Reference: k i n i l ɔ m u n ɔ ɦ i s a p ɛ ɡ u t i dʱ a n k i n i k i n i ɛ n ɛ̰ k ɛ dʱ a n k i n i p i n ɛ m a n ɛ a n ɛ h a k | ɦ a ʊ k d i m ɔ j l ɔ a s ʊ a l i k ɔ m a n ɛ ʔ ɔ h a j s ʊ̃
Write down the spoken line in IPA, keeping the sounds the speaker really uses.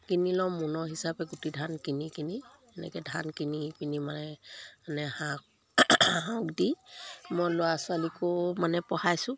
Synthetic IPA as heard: k i n i l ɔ m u n ɔ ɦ i s a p ɛ ɡ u t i dʱ a n k i n i k i n i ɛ n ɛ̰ k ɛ dʱ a n k i n i p i n i m a n ɛ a n ɛ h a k | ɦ a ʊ k d i m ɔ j l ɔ a s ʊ a l i k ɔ m a n ɛ p ɔ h a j s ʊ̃